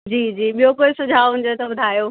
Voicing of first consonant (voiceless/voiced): voiced